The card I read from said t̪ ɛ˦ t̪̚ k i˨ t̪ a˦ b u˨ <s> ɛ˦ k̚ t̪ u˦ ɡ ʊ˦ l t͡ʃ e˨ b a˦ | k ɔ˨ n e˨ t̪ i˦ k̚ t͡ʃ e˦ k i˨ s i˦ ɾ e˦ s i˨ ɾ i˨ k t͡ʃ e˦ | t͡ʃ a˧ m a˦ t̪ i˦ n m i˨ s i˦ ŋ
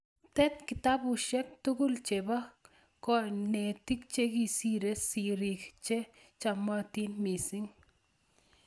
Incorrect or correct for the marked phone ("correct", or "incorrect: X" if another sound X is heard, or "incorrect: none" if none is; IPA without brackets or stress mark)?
incorrect: ʃ